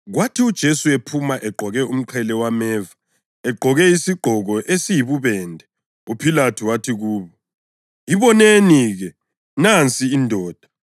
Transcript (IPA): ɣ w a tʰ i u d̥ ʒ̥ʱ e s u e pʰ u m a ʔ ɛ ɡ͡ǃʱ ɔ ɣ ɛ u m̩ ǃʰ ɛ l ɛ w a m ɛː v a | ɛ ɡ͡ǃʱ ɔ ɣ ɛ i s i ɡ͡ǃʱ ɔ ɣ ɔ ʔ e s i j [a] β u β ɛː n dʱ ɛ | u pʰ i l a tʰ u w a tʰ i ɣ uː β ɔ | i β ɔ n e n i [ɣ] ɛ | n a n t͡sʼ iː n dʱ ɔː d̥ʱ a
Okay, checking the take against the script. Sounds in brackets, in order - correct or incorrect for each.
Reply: incorrect: i, correct

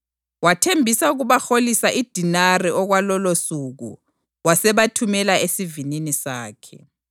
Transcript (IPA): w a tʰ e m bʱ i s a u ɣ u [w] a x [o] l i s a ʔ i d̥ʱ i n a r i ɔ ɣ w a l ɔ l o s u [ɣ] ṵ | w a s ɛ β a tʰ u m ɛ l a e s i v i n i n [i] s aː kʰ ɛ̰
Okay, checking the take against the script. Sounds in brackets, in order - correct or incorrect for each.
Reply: incorrect: β, correct, correct, correct

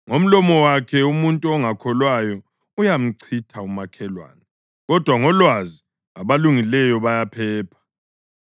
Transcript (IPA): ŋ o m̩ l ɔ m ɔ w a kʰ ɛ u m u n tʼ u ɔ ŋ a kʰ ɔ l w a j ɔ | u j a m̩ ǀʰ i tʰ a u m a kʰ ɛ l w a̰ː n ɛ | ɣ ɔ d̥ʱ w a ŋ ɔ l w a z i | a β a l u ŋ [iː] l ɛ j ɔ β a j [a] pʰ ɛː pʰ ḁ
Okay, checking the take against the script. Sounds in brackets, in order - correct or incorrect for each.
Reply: incorrect: i, correct

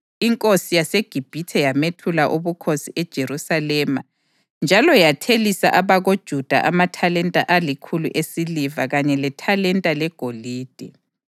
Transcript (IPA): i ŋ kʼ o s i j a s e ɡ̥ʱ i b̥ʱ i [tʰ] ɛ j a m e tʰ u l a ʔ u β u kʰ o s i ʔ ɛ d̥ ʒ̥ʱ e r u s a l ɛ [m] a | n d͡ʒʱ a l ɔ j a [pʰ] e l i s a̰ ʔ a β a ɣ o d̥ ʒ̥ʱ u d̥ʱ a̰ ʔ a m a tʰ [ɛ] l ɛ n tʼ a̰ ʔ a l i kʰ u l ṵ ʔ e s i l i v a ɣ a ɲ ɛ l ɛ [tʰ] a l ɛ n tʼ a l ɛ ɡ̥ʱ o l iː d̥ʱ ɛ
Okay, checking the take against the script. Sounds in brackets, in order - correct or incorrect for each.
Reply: correct, correct, incorrect: tʰ, incorrect: a, correct

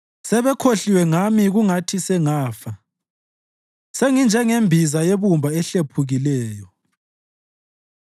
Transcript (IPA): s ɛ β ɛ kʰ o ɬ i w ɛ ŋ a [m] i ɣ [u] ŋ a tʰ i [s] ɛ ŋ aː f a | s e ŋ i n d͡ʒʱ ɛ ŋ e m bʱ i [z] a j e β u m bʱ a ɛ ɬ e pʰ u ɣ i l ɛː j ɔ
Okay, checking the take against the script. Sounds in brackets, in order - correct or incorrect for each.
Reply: correct, correct, correct, correct

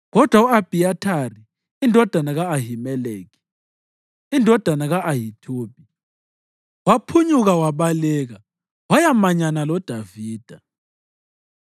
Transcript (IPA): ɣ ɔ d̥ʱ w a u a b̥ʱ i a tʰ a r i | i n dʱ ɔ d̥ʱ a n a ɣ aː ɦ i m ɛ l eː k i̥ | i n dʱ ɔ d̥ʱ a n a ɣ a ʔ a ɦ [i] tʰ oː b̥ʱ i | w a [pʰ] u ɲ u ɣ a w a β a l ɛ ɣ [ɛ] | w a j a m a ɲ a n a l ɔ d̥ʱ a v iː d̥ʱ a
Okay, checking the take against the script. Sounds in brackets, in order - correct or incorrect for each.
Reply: correct, correct, incorrect: a

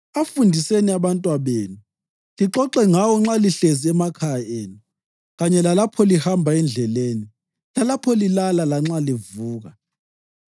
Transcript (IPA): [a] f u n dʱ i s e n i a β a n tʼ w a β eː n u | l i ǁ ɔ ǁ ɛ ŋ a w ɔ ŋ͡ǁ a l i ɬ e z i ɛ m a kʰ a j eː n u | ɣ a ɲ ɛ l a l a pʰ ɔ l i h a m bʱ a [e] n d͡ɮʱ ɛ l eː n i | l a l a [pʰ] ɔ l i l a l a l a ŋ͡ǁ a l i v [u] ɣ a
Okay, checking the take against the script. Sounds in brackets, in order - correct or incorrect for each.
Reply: correct, incorrect: ɛ, correct, incorrect: uː

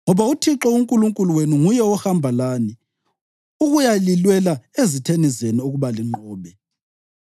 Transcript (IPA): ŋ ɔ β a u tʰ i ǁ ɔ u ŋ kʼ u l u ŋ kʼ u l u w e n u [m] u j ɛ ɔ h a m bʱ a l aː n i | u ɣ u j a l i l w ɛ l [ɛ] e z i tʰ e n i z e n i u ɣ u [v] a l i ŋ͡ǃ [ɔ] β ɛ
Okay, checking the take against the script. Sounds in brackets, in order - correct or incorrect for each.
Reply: incorrect: ŋ, incorrect: a, incorrect: β, incorrect: ɔː

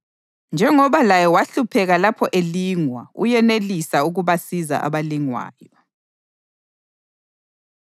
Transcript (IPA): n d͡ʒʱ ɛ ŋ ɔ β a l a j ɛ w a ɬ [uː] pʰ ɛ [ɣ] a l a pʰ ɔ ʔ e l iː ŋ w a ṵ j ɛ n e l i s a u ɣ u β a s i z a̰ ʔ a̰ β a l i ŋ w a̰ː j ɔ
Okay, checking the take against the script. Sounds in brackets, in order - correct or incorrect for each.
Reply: incorrect: u, correct

